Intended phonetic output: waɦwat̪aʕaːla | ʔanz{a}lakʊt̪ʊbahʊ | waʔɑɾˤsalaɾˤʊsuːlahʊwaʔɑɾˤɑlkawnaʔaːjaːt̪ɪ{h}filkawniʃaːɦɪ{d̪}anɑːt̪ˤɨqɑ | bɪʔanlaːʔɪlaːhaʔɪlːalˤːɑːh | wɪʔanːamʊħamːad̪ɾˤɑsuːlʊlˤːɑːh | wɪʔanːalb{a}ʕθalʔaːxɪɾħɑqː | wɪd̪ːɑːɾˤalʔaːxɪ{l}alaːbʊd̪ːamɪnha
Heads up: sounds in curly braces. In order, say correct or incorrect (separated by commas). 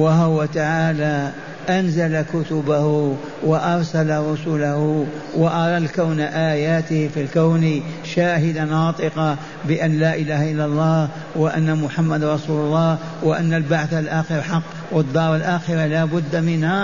correct, correct, correct, correct, incorrect